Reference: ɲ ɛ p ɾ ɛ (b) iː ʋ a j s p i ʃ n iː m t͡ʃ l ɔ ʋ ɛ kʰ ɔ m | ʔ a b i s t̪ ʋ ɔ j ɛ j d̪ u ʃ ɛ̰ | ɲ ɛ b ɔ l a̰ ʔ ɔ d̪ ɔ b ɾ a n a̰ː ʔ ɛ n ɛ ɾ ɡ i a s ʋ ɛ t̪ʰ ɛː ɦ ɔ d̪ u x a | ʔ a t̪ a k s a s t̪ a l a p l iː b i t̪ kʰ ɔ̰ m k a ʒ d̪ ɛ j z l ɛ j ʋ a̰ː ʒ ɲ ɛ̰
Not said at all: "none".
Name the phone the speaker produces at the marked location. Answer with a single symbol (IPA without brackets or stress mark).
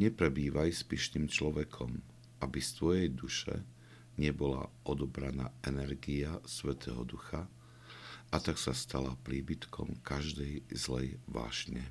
b